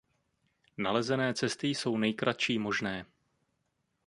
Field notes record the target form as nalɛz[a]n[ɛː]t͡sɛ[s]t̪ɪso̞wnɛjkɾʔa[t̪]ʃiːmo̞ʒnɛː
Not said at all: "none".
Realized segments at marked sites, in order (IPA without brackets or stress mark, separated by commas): ɛ, ɛː, s, t̪